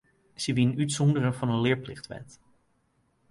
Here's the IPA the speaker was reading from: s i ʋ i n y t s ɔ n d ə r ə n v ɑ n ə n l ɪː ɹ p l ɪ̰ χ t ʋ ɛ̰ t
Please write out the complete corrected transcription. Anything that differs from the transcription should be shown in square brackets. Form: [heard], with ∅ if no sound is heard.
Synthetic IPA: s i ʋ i n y t s ɔ n d ə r ə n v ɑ n ə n l ɪː ɹ p l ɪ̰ χ t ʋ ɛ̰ t